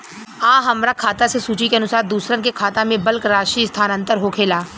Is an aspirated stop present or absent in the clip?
present